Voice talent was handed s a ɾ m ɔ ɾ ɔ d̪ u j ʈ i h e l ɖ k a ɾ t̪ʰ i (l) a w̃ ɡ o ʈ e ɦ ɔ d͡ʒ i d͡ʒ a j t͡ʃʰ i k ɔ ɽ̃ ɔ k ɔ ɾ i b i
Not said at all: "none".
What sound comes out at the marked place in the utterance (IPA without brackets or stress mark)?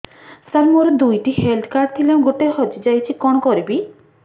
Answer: l